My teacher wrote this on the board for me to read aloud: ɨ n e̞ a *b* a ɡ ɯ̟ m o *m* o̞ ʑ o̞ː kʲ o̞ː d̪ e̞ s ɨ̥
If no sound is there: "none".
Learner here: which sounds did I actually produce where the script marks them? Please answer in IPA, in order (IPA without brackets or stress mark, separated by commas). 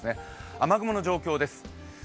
m, n